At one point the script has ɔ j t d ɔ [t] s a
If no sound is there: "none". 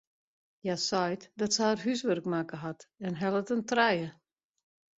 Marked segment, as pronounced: t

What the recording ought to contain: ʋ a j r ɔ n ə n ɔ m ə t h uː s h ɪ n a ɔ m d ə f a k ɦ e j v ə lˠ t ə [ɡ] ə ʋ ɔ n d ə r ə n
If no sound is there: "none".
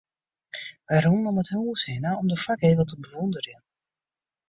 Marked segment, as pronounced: b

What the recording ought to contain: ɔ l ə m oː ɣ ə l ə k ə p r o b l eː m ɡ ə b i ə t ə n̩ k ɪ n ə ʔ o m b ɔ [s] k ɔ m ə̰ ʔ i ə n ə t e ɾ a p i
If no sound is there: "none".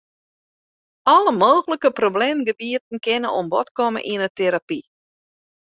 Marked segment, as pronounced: t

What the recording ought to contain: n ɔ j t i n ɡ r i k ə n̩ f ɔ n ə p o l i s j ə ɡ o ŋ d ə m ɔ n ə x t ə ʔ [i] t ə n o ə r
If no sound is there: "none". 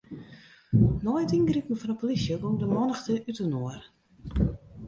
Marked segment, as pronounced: y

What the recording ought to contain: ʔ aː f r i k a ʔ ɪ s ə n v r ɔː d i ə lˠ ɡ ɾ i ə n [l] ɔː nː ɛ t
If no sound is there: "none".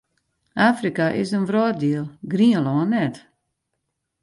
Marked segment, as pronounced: l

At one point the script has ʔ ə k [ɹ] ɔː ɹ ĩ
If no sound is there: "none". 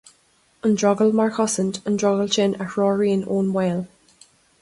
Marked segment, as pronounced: ɹ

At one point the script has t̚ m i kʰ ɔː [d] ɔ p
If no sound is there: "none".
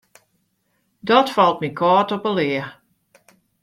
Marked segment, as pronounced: t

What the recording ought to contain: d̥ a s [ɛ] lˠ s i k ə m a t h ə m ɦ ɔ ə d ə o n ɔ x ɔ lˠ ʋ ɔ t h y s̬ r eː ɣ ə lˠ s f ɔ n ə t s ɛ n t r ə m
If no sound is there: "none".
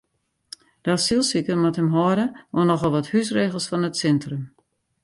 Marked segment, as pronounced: i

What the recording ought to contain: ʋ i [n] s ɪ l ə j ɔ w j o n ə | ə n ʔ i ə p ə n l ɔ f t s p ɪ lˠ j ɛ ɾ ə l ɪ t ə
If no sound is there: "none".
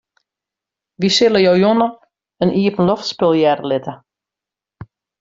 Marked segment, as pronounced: none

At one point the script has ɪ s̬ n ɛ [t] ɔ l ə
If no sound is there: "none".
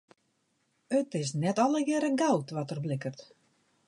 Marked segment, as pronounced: t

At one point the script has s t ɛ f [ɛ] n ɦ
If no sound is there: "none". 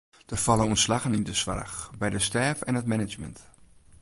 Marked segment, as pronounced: ɛ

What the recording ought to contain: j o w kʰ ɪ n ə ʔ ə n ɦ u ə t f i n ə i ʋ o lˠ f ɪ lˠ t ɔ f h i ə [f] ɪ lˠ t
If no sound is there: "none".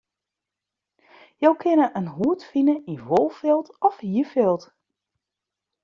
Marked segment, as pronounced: f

